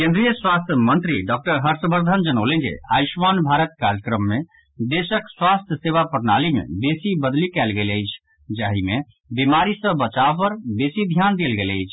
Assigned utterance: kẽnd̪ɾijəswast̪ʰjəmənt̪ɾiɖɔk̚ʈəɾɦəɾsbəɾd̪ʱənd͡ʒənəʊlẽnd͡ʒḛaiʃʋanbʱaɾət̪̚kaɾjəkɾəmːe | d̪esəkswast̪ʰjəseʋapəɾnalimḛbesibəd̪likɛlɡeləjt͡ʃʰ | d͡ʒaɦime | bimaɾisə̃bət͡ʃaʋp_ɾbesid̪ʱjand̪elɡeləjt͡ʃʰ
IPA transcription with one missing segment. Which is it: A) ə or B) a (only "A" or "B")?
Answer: A